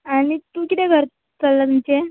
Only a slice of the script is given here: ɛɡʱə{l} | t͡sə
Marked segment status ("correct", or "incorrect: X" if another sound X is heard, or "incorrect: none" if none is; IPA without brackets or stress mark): incorrect: ɾ